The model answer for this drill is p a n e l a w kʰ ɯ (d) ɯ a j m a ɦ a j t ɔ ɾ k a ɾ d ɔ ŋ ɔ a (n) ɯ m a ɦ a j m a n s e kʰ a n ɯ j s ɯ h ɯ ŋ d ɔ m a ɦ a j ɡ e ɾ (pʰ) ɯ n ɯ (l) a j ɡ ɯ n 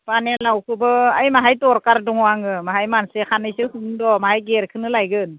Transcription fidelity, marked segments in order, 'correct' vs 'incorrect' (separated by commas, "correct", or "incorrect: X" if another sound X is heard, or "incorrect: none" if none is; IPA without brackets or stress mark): incorrect: b, incorrect: ŋ, incorrect: kʰ, correct